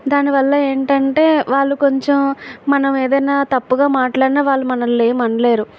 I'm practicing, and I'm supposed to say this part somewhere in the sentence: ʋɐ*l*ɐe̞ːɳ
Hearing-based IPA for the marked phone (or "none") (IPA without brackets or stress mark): lː